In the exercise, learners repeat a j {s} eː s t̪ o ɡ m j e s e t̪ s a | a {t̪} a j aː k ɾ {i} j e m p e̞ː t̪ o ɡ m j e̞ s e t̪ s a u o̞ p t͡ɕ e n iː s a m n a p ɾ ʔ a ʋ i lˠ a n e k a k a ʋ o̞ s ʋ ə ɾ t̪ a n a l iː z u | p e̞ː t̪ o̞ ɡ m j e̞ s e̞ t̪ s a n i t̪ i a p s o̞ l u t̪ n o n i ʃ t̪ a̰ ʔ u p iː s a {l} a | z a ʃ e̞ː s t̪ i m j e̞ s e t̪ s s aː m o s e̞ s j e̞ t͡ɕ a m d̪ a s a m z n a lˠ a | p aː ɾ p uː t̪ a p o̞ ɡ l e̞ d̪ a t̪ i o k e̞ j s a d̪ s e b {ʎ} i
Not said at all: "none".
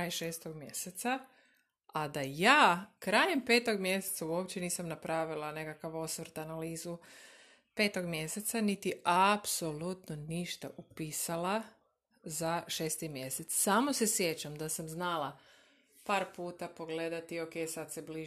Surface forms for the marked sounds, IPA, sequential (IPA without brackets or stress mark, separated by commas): ʃ, d̪, a, l, l